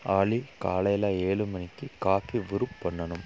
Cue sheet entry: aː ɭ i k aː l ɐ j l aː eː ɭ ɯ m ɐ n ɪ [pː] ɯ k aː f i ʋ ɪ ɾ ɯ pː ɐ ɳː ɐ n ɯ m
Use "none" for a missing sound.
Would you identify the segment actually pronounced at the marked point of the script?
kː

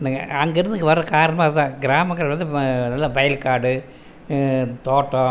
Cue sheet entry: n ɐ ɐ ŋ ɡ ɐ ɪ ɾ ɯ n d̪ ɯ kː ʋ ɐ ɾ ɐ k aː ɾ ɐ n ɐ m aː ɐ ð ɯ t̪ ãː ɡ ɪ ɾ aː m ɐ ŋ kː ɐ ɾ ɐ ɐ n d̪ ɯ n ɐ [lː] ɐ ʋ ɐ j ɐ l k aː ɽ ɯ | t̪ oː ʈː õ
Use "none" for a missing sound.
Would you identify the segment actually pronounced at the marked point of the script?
lː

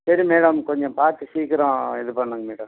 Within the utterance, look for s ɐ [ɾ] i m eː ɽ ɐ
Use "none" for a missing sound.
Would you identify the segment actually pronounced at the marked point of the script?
ɾ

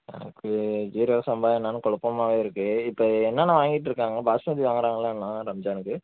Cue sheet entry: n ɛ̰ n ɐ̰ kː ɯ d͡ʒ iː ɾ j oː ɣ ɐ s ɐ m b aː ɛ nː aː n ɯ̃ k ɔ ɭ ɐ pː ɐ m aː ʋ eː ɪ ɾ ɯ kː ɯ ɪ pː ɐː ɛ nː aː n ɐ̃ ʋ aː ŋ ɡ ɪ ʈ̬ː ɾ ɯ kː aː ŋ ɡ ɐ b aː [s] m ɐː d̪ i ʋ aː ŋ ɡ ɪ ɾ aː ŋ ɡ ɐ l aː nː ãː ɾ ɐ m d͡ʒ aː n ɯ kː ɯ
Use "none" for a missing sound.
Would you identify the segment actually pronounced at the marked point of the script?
s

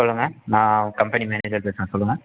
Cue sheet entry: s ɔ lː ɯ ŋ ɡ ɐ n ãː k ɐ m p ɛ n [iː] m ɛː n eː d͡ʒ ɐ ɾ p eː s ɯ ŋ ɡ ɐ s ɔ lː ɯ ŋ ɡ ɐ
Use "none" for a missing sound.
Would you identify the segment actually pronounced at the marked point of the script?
i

